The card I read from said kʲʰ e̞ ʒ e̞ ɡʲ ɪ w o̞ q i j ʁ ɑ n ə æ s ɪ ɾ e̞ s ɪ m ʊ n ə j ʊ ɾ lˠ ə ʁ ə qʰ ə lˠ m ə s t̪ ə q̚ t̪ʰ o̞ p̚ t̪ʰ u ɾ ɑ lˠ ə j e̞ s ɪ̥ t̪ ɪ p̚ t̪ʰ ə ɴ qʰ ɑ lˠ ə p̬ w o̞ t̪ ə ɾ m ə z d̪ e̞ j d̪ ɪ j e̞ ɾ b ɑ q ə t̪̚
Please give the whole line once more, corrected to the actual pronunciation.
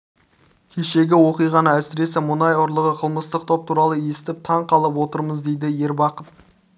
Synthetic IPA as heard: kʲʰ e̞ ʃ e̞ ɡʲ ɪ w o̞ q i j ʁ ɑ n ə æ s ɪ ɾ e̞ s ɪ m ʊ n ɑ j ʊ ɾ lˠ ə ʁ ə qʰ ə lˠ m ə s t̪ ə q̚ t̪ʰ o̞ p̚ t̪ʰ u ɾ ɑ lˠ ə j e̞ s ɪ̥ t̪ ɪ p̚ t̪ʰ ɑ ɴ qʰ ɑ lˠ ə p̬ w o̞ t̪ ə ɾ m ə z d̪ e̞ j d̪ ɪ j e̞ ɾ b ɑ q ə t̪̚